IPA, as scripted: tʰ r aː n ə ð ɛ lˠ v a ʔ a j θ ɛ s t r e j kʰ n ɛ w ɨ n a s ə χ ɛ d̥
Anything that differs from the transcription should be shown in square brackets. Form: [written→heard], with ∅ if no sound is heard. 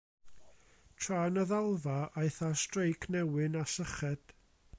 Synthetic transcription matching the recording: tʰ r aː n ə ð [ɛ→a] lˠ v a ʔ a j θ [ɛ→a] s t r e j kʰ n ɛ w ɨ n a s ə χ ɛ d̥

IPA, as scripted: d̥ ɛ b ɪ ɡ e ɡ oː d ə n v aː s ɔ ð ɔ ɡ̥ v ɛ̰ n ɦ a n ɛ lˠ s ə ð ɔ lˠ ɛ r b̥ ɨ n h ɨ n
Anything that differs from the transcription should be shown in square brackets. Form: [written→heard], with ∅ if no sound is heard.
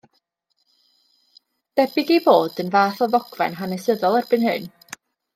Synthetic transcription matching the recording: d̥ ɛ b ɪ ɡ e [ɡ→b] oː d ə n v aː [s→θ] ɔ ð ɔ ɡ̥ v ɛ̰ n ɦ a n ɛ [lˠ→∅] s ə ð ɔ lˠ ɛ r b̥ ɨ n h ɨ n

